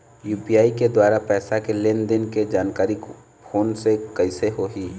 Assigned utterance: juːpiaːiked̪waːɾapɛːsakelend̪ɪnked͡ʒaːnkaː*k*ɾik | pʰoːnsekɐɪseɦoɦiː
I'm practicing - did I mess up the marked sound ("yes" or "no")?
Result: yes